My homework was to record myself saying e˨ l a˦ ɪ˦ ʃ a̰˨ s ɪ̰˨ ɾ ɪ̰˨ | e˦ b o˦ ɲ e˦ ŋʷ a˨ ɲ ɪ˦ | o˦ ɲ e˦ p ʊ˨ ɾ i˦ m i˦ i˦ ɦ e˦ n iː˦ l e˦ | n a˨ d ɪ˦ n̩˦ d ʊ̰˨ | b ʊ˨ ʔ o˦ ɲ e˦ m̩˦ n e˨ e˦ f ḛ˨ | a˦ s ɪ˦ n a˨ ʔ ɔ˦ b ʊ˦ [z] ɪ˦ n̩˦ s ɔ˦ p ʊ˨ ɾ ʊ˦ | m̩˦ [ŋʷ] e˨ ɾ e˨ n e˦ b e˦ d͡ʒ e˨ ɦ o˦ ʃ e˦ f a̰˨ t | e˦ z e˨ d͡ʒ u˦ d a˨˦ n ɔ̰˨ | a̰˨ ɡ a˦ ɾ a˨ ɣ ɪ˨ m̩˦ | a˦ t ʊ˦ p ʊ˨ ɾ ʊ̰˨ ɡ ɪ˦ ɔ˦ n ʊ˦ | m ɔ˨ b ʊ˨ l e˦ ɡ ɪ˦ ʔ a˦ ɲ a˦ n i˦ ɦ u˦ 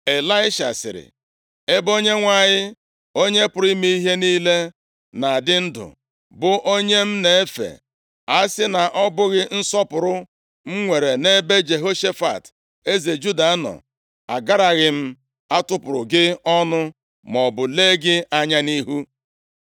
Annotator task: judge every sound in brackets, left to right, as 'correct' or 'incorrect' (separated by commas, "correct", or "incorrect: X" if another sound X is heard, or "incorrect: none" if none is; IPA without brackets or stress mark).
incorrect: ɣ, correct